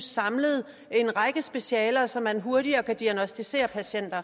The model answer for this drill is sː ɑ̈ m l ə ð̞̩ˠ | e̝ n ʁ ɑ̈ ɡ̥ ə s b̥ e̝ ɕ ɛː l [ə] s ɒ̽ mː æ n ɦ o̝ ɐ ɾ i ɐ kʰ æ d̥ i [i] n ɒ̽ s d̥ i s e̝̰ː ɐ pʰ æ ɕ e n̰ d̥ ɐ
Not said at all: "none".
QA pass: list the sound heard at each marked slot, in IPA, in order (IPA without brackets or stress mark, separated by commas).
ɐ, æ